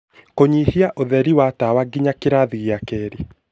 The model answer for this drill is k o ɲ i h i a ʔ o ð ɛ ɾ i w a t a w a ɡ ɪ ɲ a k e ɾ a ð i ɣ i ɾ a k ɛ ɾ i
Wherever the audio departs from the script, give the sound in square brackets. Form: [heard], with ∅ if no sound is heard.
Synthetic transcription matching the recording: k o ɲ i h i a ʔ o ð ɛ ɾ i w a t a w a ɡ [i] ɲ a k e ɾ a ð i ɣ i [∅] a k ɛ ɾ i